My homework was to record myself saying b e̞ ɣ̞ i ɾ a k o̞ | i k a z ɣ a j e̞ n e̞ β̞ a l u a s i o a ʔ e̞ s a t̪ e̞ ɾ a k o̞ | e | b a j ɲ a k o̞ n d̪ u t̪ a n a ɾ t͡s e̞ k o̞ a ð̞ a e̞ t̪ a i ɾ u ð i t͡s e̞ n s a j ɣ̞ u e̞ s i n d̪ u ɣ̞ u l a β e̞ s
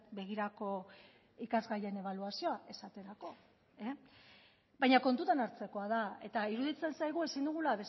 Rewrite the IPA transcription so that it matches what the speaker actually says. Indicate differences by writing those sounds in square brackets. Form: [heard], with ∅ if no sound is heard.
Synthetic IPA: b e̞ ɣ̞ i ɾ a k o̞ | i k a z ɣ a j e̞ n e̞ β̞ a l u a s i o a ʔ e̞ s a t̪ e̞ ɾ a k o̞ | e | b a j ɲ a k o̞ n [t̪] u t̪ a n a ɾ t͡s e̞ k o̞ a ð̞ a e̞ t̪ a i ɾ u ð i t͡s e̞ n s a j ɣ̞ u e̞ s i n d̪ u ɣ̞ u l a β e̞ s